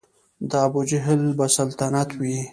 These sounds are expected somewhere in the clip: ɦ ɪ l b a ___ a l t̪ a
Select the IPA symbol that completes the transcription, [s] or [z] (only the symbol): s